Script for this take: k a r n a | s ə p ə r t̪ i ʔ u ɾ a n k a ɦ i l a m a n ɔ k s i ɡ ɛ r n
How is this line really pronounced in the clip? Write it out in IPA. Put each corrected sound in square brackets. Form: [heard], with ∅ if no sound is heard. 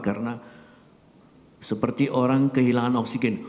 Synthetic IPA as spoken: k a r n a | s ə p ə r t̪ i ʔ [o] ɾ a [ŋ] k [ə] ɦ i l a [ŋ] a n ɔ k s i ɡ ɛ [∅] n